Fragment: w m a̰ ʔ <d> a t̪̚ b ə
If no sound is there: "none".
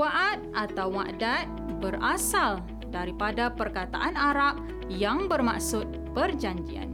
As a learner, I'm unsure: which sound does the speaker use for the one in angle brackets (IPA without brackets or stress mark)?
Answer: d